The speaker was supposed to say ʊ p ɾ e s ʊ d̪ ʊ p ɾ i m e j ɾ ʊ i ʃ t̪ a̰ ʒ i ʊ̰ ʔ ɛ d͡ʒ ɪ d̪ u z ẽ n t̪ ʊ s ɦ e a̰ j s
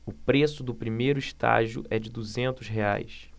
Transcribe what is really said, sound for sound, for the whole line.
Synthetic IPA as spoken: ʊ p ɾ e s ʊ d̪ ʊ p ɾ i m e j ɾ ʊ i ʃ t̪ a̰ ʒ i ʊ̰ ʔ ɛ d͡ʒ ɪ d̪ u z ẽ n t̪ ʊ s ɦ e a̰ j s

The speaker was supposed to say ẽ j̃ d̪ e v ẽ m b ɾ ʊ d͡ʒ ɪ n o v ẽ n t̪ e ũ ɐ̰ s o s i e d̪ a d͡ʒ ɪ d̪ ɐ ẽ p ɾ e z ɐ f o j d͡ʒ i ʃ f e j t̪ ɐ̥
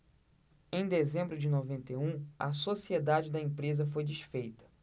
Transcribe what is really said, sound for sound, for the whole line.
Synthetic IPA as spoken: ẽ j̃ d̪ e z ẽ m b ɾ ʊ d͡ʒ ɪ n o v ẽ n t̪ e ũ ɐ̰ s o s i e d̪ a d͡ʒ ɪ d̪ ɐ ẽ p ɾ e z ɐ f o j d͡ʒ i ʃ f e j t̪ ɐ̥

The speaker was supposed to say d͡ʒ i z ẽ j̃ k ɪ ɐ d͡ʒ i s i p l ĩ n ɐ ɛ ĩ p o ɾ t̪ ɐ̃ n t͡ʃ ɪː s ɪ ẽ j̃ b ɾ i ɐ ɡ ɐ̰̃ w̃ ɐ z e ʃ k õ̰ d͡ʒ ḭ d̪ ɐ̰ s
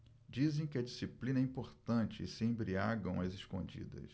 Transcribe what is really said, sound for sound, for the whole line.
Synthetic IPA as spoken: d͡ʒ i z ẽ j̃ k ɪ ɐ d͡ʒ i s i p l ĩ n ɐ ɛ ĩ p o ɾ t̪ ɐ̃ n t͡ʃ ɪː s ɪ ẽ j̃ b ɾ i a ɡ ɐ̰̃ w̃ ɐ z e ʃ k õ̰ d͡ʒ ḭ d̪ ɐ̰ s

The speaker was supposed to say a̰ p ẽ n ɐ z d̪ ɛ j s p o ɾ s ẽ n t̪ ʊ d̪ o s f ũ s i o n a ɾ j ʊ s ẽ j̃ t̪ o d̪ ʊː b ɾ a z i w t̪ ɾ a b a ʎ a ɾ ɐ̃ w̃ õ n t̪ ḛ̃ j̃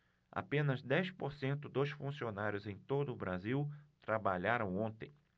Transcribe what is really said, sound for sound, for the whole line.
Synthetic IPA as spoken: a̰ p ẽ n ɐ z d̪ ɛ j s p o ɾ s ẽ n t̪ ʊ d̪ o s f ũ s i o n a ɾ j ʊ z ẽ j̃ t̪ o d̪ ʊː b ɾ a z i w t̪ ɾ a b a ʎ a ɾ ɐ̃ w̃ õ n t̪ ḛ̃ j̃

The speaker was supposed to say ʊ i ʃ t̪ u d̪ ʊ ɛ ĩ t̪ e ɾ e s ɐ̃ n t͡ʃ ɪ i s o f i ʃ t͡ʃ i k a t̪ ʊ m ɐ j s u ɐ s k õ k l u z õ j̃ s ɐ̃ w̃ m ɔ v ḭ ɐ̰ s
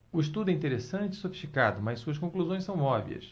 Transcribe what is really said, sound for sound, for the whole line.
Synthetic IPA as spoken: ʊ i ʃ t̪ u d̪ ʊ ɛ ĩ t̪ e ɾ e s ɐ̃ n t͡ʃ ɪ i s o f i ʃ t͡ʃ i k a d̪ ʊ m ɐ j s u ɐ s k õ k l u z õ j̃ s ɐ̃ w̃ m ɔ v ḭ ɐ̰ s

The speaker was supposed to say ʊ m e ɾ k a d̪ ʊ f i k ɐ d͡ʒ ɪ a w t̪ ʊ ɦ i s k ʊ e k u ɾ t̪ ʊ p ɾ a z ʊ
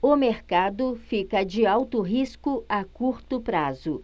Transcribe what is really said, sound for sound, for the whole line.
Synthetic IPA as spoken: ʊ m e ɾ k a d̪ ʊ f i k ɐ d͡ʒ ɪ a w t̪ ʊ ɦ i s k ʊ a k u ɾ t̪ ʊ p ɾ a z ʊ

